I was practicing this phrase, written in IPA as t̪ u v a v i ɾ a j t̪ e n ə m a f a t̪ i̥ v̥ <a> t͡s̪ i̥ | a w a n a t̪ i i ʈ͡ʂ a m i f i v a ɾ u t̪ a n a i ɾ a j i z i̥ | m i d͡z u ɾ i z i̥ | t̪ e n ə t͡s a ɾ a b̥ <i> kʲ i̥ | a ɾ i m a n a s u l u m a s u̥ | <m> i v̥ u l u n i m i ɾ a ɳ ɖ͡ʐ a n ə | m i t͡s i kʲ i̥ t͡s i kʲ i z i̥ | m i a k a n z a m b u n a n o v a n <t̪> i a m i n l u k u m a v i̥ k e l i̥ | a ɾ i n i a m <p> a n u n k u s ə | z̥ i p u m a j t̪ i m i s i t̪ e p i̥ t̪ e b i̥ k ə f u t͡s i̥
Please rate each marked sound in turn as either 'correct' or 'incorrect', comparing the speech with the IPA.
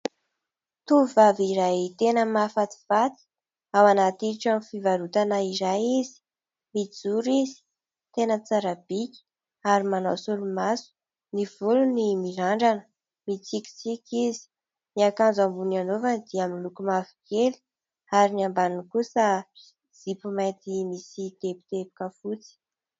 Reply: correct, correct, incorrect: n, incorrect: d̪, incorrect: b

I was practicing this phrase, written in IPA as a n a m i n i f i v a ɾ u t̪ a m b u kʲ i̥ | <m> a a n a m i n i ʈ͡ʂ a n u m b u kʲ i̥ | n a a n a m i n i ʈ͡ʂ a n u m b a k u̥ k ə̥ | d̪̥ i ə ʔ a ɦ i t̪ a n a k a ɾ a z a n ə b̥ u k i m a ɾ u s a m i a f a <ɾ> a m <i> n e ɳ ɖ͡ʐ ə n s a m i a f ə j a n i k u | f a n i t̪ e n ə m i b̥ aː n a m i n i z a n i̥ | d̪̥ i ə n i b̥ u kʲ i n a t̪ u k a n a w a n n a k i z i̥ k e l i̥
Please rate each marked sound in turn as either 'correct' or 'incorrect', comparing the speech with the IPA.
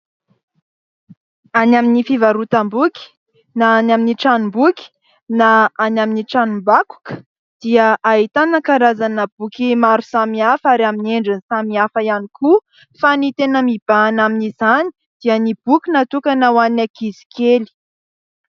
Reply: incorrect: n, correct, correct

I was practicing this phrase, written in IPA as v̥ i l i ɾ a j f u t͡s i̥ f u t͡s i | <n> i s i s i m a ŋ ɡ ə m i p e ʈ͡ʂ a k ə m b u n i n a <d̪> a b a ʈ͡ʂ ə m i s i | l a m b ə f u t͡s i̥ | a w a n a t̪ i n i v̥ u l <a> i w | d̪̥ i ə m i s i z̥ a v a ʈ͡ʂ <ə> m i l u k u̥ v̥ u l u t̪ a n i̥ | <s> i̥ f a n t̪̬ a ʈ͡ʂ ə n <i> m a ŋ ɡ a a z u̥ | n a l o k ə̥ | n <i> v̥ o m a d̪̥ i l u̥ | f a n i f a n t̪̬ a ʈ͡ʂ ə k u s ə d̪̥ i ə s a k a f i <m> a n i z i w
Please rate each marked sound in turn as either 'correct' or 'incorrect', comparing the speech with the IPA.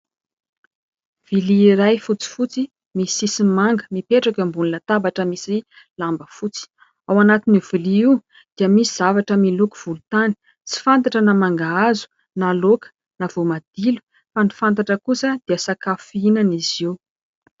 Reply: incorrect: m, incorrect: t̪, incorrect: i, correct, incorrect: t͡s, incorrect: a, incorrect: a, incorrect: n

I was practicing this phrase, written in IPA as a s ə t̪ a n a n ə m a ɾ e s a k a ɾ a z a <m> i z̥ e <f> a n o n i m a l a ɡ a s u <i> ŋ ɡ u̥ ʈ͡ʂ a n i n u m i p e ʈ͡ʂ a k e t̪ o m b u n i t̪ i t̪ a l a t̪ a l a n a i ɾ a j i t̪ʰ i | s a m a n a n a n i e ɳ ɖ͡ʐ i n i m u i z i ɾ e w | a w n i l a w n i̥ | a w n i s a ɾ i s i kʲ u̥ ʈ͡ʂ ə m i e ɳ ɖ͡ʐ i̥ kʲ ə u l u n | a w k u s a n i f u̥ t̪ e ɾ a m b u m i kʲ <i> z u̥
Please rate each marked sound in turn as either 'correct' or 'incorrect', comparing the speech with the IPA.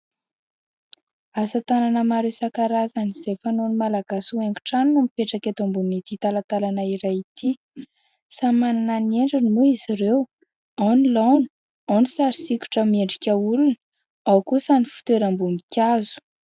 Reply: incorrect: n, correct, incorrect: e, incorrect: a

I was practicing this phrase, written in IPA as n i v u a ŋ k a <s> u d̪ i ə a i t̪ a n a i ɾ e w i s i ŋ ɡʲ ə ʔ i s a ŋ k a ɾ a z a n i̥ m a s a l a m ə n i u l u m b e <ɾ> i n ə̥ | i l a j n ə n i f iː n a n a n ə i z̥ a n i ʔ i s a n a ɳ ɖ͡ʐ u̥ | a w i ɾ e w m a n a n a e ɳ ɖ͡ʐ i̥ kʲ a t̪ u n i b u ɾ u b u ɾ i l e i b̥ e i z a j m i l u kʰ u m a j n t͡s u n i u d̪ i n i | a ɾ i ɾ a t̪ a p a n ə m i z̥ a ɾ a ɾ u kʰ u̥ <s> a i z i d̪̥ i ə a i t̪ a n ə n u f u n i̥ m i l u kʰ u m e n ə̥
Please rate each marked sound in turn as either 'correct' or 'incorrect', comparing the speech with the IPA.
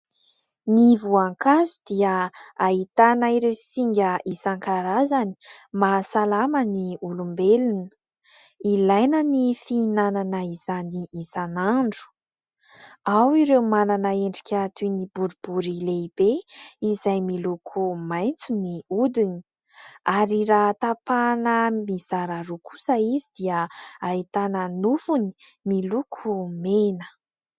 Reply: incorrect: z, incorrect: l, correct

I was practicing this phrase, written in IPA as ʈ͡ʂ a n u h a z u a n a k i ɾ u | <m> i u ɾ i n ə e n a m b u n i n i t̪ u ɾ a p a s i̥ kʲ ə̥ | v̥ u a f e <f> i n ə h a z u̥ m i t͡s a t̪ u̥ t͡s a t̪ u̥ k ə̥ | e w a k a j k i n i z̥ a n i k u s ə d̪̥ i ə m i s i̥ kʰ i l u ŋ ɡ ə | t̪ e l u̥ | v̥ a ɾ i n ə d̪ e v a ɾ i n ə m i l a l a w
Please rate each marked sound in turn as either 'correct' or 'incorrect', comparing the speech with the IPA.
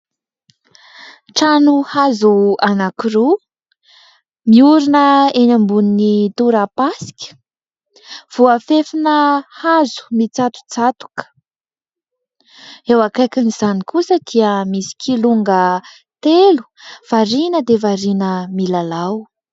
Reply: correct, correct

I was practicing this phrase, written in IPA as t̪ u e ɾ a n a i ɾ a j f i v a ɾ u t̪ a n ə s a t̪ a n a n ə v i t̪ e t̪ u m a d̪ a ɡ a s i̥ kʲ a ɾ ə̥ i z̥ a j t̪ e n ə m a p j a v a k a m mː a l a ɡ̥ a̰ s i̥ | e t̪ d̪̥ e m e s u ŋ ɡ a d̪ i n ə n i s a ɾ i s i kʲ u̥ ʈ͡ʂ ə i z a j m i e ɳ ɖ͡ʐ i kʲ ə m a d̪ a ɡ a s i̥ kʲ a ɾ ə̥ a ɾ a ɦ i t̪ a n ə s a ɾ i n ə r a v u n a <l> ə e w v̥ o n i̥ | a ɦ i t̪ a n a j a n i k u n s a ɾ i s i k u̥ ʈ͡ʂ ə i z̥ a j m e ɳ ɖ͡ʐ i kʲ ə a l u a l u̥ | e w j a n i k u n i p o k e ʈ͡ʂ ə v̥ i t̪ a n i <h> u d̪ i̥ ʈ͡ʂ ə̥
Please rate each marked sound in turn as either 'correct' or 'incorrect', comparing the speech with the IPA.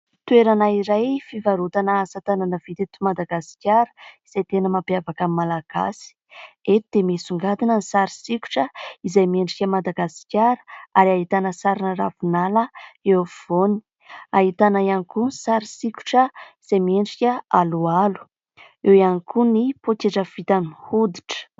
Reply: correct, correct

